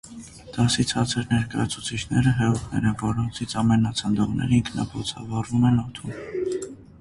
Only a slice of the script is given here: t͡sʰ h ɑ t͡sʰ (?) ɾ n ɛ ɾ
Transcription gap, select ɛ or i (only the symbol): ɛ